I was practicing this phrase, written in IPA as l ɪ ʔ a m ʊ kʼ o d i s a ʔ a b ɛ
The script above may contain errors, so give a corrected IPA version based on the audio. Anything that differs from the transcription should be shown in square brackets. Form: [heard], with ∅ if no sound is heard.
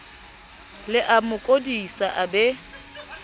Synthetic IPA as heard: l ɪ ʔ a m ʊ kʼ o d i s a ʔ a b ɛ